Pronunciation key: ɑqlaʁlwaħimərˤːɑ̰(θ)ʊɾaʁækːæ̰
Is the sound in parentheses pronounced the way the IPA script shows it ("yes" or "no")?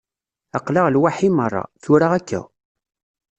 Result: yes